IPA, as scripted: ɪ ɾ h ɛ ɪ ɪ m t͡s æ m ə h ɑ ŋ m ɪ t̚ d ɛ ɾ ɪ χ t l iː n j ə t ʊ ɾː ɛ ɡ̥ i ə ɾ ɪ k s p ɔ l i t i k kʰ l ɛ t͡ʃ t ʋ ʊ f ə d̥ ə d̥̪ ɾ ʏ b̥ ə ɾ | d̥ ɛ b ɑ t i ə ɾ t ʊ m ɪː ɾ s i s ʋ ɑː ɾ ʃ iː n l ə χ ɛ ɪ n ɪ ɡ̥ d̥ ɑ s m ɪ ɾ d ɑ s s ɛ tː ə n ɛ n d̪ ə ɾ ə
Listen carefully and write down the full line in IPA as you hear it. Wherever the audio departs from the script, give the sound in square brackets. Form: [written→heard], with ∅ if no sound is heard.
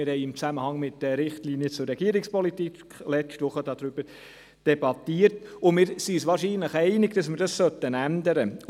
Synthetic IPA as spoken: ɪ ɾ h ɛ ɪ ɪ m t͡s æ m ə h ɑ ŋ m ɪ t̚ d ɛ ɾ ɪ χ t l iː n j ə [t→t͡s] ʊ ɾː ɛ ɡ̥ i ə ɾ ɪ k s p ɔ l i t i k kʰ l ɛ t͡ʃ t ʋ ʊ [f→χ] ə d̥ [ə→ɑ] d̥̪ ɾ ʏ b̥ ə ɾ | d̥ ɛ b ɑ t i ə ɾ t ʊ m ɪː ɾ s i s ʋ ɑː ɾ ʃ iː n l ə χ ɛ ɪ n ɪ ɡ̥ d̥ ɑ s m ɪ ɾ d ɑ s s [ɛ→œ] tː ə n [ɛ→æ] n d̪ ə ɾ ə